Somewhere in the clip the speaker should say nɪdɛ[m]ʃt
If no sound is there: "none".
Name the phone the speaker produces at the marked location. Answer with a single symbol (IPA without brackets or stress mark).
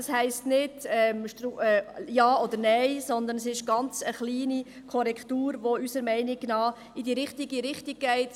m